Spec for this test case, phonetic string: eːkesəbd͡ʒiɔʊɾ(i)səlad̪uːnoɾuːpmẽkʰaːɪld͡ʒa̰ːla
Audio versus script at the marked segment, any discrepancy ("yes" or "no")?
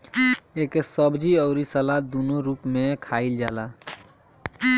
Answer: no